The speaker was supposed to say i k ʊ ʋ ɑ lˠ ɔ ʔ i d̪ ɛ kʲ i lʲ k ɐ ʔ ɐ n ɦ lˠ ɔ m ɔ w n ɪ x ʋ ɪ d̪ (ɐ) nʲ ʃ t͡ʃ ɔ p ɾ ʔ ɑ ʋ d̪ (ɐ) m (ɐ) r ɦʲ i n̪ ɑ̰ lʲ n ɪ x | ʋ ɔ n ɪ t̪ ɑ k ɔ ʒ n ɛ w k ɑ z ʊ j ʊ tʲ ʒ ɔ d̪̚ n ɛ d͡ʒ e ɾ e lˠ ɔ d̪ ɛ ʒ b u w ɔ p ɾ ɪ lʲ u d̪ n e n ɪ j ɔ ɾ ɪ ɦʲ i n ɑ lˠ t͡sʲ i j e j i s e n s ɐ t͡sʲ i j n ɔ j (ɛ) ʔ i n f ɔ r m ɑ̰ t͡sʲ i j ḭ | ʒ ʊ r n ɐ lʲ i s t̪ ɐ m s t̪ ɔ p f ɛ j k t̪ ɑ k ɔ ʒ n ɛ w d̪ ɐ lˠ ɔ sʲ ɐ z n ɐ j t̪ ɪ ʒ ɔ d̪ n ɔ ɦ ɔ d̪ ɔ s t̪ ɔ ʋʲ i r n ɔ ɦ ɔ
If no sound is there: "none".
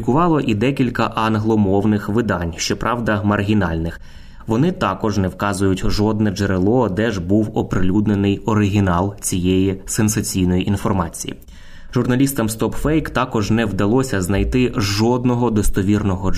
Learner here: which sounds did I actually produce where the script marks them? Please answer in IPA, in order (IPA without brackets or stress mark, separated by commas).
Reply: ɑ, ɐ, ɐ, i